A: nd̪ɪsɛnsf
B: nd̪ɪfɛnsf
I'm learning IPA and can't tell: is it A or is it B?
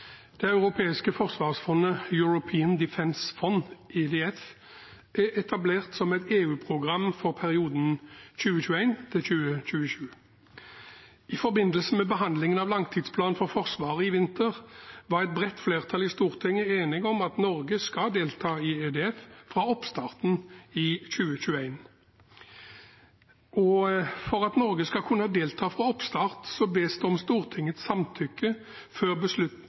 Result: B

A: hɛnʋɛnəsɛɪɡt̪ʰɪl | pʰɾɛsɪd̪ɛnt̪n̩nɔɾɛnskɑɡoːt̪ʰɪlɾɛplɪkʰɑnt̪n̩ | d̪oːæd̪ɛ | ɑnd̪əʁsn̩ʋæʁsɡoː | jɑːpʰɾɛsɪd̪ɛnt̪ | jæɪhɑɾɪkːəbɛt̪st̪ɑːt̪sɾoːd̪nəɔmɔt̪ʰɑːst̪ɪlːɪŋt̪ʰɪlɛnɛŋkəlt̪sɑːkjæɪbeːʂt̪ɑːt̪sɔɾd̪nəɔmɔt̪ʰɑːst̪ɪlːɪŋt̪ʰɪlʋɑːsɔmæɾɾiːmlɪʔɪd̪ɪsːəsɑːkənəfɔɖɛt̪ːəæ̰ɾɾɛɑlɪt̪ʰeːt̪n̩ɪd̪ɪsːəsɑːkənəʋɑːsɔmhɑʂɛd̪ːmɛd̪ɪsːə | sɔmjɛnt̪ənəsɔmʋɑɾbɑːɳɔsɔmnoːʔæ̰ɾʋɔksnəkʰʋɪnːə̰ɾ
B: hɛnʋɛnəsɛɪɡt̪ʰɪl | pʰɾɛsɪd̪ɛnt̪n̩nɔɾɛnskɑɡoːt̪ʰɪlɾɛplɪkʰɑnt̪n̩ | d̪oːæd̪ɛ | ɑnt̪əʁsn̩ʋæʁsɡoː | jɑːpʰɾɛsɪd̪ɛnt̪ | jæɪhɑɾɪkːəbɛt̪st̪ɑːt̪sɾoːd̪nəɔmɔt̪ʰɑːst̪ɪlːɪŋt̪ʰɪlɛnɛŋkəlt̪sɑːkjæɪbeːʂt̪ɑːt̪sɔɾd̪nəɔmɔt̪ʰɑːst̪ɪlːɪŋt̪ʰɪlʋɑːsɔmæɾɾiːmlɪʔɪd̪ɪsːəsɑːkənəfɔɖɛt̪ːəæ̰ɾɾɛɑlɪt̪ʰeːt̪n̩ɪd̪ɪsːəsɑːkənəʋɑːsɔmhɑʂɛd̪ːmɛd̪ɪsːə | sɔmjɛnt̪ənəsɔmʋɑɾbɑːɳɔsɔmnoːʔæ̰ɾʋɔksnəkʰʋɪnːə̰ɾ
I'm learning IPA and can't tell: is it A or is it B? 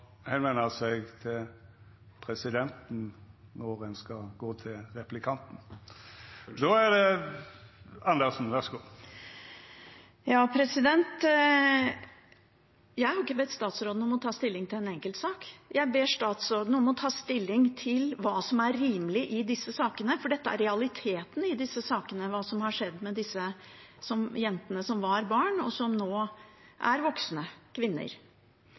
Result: A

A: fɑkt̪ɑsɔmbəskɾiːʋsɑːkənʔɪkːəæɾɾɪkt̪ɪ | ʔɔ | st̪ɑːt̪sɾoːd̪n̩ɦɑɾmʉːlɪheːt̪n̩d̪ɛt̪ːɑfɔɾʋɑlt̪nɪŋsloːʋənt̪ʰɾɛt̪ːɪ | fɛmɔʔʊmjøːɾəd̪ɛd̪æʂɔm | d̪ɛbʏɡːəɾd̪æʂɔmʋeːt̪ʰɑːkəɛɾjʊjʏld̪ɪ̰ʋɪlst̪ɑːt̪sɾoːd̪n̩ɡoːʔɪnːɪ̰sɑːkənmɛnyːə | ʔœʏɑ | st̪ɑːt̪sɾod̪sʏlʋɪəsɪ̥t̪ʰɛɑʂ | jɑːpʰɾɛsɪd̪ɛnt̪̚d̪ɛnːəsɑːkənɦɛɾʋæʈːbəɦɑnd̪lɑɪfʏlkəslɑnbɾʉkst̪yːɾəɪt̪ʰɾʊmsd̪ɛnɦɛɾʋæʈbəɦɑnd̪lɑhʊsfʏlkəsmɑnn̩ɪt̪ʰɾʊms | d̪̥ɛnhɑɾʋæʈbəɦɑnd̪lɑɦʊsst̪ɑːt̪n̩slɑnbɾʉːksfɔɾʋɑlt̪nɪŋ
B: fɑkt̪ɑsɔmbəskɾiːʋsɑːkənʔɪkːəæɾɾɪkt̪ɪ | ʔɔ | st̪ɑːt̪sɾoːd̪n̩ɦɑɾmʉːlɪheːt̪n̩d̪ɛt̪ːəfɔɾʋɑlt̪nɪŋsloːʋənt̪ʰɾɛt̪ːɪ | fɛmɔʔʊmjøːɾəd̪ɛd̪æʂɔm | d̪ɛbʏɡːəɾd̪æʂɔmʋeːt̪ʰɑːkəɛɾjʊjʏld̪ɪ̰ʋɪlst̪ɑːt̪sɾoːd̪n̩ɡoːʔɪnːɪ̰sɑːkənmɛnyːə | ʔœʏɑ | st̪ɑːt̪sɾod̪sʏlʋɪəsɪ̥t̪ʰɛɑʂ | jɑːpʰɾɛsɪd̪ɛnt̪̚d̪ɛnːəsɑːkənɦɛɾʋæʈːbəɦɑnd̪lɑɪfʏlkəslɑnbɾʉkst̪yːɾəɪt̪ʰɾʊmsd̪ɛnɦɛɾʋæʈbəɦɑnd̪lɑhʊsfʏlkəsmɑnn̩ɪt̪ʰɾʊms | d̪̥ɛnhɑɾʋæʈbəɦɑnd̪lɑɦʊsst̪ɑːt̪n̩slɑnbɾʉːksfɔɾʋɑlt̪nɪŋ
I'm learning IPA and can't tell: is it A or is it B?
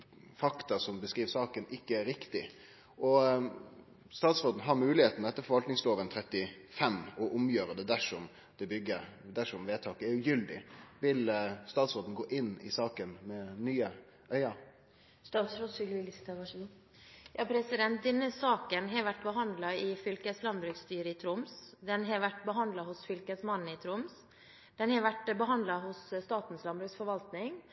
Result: B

